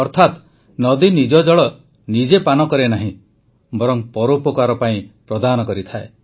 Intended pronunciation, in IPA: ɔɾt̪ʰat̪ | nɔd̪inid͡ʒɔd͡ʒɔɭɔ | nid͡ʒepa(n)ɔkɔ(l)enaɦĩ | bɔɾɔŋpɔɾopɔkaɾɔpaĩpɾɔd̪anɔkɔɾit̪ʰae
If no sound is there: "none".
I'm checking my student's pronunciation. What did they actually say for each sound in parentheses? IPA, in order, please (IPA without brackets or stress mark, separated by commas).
n, ɾ